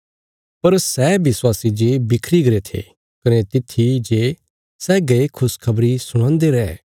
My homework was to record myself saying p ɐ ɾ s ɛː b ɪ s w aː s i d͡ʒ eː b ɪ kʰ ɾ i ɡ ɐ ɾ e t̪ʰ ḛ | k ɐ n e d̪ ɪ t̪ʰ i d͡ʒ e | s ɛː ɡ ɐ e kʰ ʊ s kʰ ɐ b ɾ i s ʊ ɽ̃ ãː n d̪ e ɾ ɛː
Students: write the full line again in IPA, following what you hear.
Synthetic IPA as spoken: p ɐ ɾ s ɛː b ɪ s w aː s i d͡ʒ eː b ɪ kʰ ɾ i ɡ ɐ ɾ e t̪ʰ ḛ | k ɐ n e t̪ ɪ t̪ʰ i d͡ʒ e | s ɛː ɡ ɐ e kʰ ʊ s kʰ ɐ b ɾ i s ʊ ɽ̃ ãː n d̪ e ɾ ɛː